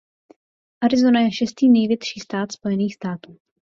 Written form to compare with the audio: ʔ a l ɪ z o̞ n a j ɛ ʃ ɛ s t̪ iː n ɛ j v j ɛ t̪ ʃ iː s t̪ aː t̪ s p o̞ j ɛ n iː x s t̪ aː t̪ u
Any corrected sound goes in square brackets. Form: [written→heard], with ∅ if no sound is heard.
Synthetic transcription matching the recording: ʔ a [l→ɾ] ɪ z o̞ n a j ɛ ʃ ɛ s t̪ iː n ɛ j v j ɛ t̪ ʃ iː s t̪ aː t̪ s p o̞ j ɛ n iː x s t̪ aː t̪ [u→uː]